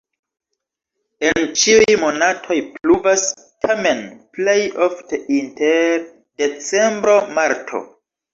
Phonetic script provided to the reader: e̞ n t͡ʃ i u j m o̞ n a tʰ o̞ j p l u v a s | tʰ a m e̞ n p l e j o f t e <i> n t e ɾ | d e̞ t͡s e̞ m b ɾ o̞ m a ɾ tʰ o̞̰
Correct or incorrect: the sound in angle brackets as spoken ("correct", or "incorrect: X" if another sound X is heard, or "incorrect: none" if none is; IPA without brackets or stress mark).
correct